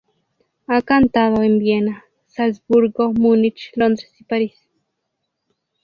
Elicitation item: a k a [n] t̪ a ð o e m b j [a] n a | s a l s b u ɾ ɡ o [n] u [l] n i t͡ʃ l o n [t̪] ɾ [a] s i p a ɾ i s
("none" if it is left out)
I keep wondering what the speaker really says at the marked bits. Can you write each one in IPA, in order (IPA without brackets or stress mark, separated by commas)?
n, e, m, none, d̪, e